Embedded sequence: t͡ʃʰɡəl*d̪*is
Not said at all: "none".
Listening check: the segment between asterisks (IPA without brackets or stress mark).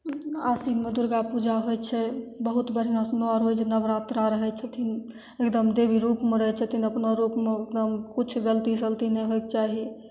t̪